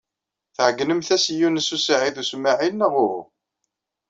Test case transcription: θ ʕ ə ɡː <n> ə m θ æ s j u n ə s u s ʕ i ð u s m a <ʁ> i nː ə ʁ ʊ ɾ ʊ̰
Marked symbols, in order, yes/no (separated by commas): yes, no